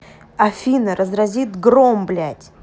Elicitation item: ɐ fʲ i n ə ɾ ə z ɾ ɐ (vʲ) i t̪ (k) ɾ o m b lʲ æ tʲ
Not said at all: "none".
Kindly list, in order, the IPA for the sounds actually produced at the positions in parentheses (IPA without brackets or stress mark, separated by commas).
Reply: zʲ, ɡ